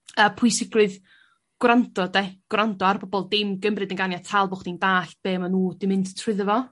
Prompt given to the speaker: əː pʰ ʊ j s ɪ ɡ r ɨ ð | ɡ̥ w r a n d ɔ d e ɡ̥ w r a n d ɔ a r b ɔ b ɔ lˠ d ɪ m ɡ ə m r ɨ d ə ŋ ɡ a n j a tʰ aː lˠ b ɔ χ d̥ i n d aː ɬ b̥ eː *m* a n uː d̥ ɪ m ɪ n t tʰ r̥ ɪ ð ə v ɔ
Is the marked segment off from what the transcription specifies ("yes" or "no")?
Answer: no